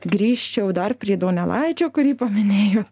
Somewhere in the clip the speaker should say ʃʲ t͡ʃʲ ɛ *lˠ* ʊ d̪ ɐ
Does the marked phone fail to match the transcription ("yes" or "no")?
yes